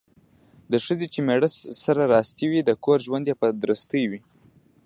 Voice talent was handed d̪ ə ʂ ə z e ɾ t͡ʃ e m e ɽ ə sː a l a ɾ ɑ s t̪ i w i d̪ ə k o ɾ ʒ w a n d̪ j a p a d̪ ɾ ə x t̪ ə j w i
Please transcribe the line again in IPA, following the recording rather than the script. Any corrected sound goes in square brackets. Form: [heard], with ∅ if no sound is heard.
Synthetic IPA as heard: d̪ ə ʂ ə z e [∅] t͡ʃ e m e ɽ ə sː a [ɾ] a ɾ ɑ s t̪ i w i d̪ ə k o ɾ ʒ w a n d̪ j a p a d̪ ɾ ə [s] t̪ ə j w i